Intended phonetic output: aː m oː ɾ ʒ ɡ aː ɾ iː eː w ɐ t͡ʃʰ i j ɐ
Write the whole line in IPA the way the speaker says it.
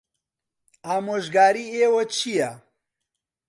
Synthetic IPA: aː m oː ʒ ɡ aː ɾ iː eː w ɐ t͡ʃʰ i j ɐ